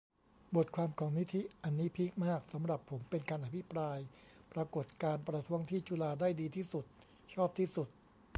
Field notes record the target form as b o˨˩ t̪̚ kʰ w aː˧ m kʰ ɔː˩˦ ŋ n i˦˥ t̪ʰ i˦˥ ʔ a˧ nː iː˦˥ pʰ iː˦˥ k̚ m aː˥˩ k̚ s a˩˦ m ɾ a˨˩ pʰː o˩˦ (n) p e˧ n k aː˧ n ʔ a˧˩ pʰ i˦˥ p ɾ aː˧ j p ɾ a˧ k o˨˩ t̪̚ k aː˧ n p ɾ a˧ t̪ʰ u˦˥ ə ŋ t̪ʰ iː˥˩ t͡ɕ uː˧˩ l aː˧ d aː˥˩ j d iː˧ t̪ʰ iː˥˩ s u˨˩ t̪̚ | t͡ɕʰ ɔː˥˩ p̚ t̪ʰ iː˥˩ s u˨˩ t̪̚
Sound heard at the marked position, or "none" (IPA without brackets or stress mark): m